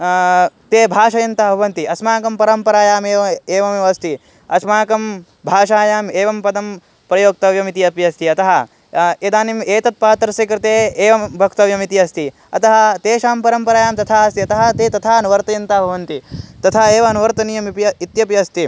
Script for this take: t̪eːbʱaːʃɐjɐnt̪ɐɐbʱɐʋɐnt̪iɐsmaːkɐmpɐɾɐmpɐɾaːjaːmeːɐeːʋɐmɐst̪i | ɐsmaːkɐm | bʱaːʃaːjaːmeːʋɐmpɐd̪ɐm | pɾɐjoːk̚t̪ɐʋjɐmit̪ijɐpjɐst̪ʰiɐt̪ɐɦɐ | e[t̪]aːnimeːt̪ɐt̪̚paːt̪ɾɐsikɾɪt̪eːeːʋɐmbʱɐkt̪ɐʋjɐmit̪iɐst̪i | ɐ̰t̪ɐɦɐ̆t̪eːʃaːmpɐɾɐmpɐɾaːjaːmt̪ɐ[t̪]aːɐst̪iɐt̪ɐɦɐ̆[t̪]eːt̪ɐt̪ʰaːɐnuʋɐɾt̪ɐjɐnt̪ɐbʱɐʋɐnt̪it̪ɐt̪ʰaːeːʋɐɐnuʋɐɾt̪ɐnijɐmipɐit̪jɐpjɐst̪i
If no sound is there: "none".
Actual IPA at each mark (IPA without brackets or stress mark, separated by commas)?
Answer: d̪, t̪ʰ, t̪